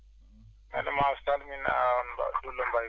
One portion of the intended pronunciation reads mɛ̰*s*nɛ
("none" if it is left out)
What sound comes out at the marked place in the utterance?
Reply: none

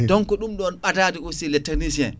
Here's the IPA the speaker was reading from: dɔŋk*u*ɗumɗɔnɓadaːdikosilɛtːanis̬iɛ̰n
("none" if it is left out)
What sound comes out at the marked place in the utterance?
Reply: ɔ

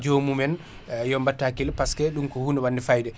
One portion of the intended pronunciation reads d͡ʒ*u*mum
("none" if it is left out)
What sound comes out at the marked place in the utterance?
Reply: o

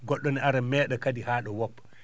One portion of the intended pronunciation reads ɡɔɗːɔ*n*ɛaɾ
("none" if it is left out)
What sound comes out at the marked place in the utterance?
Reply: n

